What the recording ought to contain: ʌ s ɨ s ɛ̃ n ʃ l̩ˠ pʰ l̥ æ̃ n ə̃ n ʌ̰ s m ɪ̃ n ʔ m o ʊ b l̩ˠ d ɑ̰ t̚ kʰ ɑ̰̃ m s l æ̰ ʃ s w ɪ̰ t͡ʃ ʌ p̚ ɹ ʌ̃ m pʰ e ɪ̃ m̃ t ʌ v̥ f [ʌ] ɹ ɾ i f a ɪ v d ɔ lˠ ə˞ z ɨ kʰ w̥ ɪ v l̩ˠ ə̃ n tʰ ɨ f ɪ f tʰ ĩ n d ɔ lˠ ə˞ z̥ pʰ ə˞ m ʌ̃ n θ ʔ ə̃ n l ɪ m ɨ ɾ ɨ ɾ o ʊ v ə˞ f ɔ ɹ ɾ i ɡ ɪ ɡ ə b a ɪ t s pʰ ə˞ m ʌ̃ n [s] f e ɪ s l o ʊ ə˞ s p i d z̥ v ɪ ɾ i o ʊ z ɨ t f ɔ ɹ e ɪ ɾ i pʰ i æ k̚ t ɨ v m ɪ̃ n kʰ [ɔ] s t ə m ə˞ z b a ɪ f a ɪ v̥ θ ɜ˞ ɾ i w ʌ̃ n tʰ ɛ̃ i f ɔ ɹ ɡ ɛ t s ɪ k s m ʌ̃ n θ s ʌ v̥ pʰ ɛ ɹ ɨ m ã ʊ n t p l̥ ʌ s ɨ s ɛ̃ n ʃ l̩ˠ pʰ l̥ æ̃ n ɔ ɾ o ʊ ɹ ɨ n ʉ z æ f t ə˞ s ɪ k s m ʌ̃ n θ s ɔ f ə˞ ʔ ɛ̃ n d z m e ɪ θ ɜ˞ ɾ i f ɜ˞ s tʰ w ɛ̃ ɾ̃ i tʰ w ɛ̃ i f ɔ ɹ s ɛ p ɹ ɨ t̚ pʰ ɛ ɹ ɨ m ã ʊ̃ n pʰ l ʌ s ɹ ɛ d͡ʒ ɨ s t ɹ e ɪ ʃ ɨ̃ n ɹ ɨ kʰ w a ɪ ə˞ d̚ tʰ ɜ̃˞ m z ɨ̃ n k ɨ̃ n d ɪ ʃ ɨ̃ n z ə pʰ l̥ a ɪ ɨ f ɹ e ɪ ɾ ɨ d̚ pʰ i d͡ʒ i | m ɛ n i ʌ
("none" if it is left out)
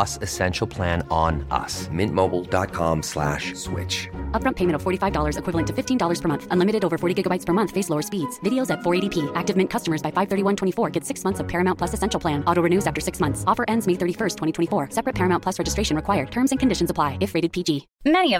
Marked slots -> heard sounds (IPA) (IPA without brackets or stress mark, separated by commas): ɔ, θ, ʌ